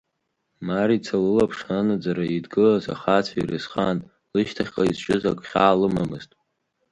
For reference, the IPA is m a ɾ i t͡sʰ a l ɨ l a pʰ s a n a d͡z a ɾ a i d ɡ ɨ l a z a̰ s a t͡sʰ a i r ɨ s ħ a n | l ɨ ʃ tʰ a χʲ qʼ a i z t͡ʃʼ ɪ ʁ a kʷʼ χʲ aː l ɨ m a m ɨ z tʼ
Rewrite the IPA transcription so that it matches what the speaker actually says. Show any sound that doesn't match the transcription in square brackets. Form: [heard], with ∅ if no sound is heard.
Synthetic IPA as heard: m a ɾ i t͡sʰ a l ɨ l a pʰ [ʂ] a n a d͡z a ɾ a i d ɡ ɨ l a z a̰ [χ] a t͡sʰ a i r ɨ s [χ] a n | l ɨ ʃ tʰ a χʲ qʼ a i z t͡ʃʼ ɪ [z] a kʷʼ χʲ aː l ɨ m a m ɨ z tʼ